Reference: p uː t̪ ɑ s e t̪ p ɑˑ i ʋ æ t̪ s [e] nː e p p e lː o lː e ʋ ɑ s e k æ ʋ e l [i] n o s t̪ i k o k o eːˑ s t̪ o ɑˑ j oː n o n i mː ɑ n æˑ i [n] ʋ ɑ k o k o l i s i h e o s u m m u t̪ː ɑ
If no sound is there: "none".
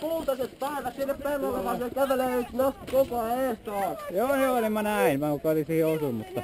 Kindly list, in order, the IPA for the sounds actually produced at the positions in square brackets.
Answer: i, e, n

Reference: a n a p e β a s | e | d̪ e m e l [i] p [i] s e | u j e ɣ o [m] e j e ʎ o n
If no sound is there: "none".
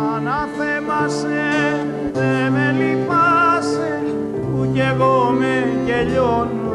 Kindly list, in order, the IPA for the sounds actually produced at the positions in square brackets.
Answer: i, a, m

